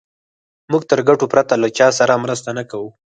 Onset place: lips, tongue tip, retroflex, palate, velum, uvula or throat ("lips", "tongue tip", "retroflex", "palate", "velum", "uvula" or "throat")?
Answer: lips